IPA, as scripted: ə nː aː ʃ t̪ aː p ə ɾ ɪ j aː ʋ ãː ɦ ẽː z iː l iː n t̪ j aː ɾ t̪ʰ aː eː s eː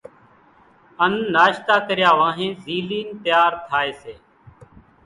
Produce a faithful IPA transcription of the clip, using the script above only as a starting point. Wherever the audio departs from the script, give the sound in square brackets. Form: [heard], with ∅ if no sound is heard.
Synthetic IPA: ə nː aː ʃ t̪ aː [k] ə ɾ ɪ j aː ʋ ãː ɦ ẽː z iː l iː n t̪ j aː ɾ t̪ʰ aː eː s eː